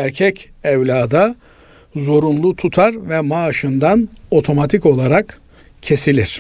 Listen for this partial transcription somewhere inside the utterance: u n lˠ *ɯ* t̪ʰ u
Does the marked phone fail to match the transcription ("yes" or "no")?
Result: yes